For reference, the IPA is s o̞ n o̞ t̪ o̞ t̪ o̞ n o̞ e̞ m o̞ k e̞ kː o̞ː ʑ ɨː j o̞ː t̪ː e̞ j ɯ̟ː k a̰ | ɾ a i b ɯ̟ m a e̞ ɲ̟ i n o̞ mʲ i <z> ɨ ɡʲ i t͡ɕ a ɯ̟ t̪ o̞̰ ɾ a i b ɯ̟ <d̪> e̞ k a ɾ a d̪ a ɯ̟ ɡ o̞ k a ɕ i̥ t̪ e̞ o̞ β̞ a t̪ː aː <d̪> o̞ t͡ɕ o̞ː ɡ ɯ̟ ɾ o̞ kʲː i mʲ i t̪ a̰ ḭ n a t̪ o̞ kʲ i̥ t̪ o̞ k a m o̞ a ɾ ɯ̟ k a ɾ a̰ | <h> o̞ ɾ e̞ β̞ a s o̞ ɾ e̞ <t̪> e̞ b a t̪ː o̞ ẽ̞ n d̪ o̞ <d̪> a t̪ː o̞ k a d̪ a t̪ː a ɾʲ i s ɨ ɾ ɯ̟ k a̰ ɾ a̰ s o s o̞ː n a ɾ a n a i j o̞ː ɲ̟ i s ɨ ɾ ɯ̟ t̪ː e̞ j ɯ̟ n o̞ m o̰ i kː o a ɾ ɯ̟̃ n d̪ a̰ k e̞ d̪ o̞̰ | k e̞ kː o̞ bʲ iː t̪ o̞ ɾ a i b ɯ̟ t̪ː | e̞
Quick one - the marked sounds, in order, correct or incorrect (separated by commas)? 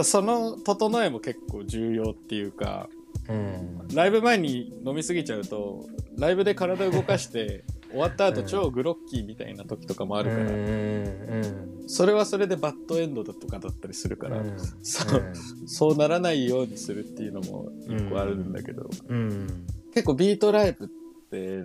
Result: incorrect, correct, incorrect, incorrect, incorrect, correct